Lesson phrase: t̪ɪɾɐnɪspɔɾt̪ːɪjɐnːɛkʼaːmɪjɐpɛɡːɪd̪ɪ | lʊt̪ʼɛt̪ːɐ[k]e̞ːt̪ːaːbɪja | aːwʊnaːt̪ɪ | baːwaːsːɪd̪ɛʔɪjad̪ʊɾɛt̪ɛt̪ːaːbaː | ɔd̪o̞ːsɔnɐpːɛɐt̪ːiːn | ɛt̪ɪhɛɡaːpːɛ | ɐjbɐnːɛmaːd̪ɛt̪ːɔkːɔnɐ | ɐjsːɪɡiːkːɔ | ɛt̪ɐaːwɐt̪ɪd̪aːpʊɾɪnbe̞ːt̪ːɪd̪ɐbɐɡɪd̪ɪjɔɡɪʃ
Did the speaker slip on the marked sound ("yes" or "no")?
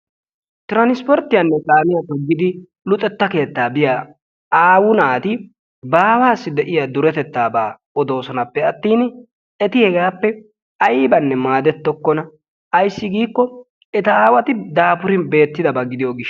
no